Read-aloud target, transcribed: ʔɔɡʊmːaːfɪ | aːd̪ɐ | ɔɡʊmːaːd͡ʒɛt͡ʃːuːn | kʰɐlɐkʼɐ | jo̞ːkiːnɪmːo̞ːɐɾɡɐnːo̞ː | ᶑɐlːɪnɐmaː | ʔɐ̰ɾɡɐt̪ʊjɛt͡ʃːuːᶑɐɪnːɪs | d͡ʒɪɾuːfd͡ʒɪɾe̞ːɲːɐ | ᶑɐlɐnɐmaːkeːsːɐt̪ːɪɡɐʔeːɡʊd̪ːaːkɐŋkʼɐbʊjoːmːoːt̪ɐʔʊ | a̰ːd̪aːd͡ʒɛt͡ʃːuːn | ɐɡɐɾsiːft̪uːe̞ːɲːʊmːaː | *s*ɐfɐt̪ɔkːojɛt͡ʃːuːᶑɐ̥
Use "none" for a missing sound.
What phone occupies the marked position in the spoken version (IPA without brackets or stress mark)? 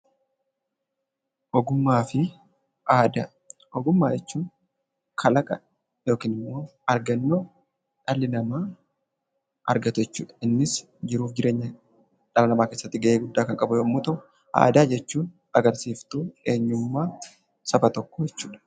s